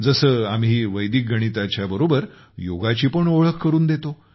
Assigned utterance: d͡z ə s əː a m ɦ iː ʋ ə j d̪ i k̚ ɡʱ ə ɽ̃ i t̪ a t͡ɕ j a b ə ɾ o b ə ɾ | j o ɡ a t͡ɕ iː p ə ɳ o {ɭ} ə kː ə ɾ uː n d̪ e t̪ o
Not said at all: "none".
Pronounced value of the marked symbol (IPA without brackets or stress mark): ɭ